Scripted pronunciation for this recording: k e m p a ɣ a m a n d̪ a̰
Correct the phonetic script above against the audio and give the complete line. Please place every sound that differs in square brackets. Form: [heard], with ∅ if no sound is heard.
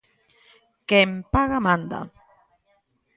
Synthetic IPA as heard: k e m p a ɣ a m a n d̪ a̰